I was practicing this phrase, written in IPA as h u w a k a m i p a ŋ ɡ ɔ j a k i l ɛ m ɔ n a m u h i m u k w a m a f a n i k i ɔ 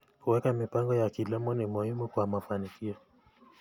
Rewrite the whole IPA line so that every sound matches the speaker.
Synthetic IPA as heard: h u w ɛ k a m i p a ŋ ɡ ɔ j a k i l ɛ m ɔ n i m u h i m u k w a m a f a n i k i ɔ